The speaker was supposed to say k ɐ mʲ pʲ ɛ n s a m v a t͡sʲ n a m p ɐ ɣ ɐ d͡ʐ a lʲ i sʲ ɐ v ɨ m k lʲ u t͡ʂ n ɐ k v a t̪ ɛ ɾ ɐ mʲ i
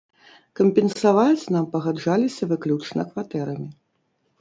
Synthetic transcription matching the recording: k ɐ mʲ pʲ ɛ n s a v a t͡sʲ n a m p ɐ ɣ a d͡ʐ a lʲ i sʲ ɐ v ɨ k lʲ u t͡ʂ n ɐ k v a t̪ ɛ ɾ ɐ mʲ i

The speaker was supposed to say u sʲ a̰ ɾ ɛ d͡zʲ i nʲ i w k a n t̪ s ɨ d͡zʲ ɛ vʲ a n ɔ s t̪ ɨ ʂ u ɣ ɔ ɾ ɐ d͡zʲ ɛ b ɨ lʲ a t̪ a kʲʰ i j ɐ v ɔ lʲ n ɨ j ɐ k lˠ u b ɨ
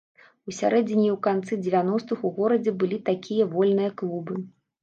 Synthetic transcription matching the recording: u sʲ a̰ ɾ ɛ d͡zʲ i nʲ i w k a n t̪ s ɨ d͡zʲ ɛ vʲ a n ɔ s t̪ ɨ x u ɣ ɔ ɾ ɐ d͡zʲ ɛ b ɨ lʲ i t̪ a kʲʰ i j ɐ v ɔ lʲ n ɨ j ɐ k lˠ u b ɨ

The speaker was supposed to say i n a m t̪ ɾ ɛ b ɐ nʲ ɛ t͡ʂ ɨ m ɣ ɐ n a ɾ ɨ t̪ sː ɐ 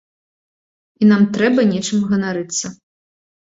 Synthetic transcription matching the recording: i n a m t̪ ɾ ɛ b ɐ nʲ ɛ t͡ʂ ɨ m ɣ ɐ n a ɾ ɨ t̪ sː ɐ

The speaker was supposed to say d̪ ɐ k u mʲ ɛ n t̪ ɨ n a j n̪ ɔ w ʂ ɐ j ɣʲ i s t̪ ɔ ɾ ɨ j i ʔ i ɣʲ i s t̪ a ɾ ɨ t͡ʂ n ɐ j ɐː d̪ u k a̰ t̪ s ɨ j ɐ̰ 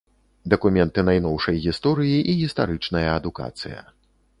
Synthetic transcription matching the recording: d̪ ɐ k u mʲ ɛ n t̪ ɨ n a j n̪ ɔ w ʂ ɐ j ɣʲ i s t̪ ɔ ɾ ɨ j i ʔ i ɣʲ i s t̪ a ɾ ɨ t͡ʂ n ɐ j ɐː d̪ u k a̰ t̪ s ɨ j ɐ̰

